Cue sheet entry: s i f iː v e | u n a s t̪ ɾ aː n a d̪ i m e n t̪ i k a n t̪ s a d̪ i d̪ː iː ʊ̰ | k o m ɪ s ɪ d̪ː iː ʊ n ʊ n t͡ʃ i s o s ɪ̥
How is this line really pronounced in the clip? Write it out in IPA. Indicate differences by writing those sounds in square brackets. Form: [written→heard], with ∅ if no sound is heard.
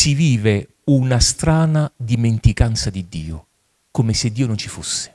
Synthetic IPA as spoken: s i [f→v] iː v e | u n a s t̪ ɾ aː n a d̪ i m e n t̪ i k a n t̪ s a d̪ i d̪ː iː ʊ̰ | k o m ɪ s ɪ d̪ː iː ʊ n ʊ n t͡ʃ i [s→f] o [s→sː] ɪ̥

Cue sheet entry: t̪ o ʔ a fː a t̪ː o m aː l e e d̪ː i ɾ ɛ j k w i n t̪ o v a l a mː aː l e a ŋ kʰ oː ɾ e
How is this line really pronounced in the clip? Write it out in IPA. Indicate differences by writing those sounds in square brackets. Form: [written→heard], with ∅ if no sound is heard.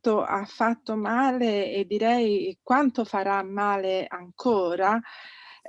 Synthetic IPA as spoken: t̪ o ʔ a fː a t̪ː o m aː l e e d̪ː i ɾ ɛ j k w [i→a] n t̪ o [v→f] a [l→ɾ] a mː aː l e a ŋ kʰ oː ɾ [e→a]

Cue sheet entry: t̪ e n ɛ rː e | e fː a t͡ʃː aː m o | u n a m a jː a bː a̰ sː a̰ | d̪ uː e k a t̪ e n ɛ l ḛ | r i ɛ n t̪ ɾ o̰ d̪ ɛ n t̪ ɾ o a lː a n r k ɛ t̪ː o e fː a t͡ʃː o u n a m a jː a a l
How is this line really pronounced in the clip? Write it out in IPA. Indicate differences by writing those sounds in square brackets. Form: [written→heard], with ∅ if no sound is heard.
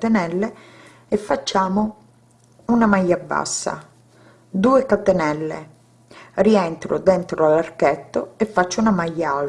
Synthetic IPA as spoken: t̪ e n ɛ [rː→lː] e | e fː a t͡ʃː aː m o | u n a m a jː a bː a̰ sː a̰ | d̪ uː e k a t̪ e n ɛ [l→lː] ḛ | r i ɛ n t̪ ɾ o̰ d̪ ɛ n t̪ ɾ o a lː a [n→∅] r k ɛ t̪ː o e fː a t͡ʃː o u n a m a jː a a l

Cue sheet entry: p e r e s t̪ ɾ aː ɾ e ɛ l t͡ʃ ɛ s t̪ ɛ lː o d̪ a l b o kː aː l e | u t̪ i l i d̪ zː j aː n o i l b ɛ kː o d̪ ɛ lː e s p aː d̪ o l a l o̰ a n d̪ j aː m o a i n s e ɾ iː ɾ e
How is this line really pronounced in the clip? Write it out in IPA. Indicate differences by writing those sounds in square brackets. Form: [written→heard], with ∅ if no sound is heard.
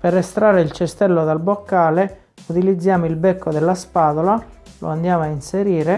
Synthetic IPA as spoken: p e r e s t̪ ɾ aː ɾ e [ɛ→i] l t͡ʃ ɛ s t̪ ɛ lː o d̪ a l b o kː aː l e | u t̪ i l i d̪ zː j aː [n→m] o i l b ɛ kː o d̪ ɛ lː [e→a] s p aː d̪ o l a l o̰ a n d̪ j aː m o a i n s e ɾ iː ɾ e

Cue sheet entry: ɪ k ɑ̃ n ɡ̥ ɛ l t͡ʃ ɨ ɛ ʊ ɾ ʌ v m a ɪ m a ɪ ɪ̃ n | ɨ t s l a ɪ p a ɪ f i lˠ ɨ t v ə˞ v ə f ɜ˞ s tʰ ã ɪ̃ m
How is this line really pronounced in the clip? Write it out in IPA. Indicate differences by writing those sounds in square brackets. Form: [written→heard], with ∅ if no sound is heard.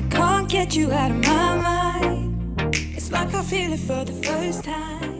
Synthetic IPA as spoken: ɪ [k→kʰ] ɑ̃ n ɡ̥ ɛ [l→∅] t͡ʃ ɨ [ɛ→a] ʊ ɾ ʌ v m a ɪ m a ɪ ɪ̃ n | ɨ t s l a ɪ [p→k] a ɪ f i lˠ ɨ t [v→f] ə˞ [v→ð] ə f ɜ˞ s tʰ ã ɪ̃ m

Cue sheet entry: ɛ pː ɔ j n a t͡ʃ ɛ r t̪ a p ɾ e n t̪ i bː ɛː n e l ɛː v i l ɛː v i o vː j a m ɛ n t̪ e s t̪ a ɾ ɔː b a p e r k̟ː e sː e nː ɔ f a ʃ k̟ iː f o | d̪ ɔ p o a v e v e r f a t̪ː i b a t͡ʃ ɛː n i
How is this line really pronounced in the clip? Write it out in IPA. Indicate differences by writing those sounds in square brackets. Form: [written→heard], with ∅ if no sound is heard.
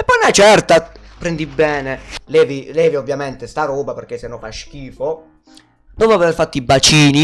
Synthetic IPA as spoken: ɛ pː ɔ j n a t͡ʃ ɛ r t̪ a p ɾ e n [t̪→d̪] i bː ɛː n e l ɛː v i l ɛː v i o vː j a m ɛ n t̪ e s t̪ a ɾ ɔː b a p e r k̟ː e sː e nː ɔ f a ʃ k̟ iː f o | d̪ ɔ p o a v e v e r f a t̪ː i b a t͡ʃ [ɛː→iː] n i

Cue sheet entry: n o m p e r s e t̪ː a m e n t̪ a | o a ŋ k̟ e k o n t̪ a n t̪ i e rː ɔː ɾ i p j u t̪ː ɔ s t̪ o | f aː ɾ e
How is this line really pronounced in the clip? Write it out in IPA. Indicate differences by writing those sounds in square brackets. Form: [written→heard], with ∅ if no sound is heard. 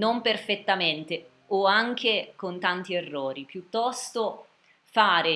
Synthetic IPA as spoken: n o m p e r [s→f] e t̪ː a m e n t̪ [a→e] | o a ŋ k̟ e k o n t̪ a n t̪ i e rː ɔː ɾ i p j u t̪ː ɔ s t̪ o | f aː ɾ e

